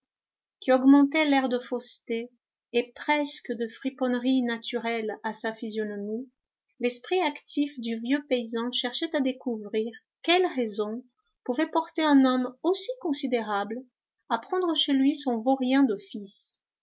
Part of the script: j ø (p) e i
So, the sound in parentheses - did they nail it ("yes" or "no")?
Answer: yes